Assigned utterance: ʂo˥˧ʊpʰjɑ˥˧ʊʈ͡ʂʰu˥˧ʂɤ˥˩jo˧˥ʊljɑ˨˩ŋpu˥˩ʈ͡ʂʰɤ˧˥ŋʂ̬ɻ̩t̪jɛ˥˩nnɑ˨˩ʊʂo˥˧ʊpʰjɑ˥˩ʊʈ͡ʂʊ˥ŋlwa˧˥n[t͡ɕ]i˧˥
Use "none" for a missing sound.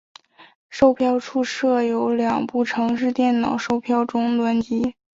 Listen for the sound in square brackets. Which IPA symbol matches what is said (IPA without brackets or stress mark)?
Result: t͡ɕ